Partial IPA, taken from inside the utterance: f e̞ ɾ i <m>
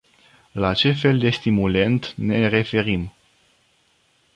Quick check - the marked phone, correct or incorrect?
correct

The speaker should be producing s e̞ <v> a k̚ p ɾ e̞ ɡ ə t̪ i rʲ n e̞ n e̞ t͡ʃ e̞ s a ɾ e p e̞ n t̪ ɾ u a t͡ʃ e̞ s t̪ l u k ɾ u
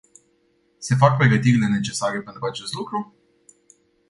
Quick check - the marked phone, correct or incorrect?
incorrect: f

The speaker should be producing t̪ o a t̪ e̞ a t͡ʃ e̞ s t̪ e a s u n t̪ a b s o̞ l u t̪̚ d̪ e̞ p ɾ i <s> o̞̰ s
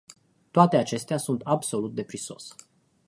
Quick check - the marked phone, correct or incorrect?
correct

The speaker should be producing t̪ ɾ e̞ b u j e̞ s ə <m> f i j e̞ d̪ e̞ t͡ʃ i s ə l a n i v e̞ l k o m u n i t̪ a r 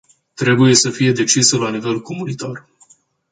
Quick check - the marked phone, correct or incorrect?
incorrect: none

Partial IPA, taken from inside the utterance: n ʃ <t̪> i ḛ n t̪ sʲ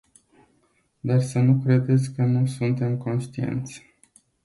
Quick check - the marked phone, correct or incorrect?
correct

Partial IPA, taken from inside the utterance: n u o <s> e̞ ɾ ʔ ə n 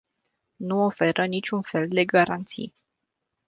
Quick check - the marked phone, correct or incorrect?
incorrect: f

